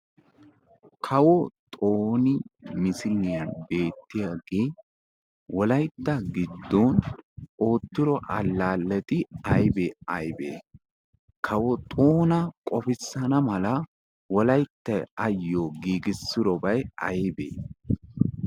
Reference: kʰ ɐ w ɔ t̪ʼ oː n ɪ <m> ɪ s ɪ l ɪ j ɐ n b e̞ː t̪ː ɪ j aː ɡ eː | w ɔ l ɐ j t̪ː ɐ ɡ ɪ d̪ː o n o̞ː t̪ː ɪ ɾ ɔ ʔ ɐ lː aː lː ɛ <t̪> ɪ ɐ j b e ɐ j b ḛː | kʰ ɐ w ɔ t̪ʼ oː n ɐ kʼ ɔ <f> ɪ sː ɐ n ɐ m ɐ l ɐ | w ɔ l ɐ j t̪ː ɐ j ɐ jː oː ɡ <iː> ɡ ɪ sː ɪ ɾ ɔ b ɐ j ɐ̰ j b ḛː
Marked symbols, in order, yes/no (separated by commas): yes, yes, yes, yes